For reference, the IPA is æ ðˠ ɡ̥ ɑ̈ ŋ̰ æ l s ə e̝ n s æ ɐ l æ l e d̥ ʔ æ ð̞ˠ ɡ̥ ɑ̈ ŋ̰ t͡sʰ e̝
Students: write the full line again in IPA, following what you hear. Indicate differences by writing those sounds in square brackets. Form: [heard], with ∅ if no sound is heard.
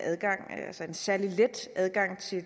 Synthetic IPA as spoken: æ ðˠ ɡ̥ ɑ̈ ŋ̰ æ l s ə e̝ n s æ ɐ l [i] l e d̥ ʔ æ ð̞ˠ ɡ̥ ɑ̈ ŋ̰ t͡sʰ e̝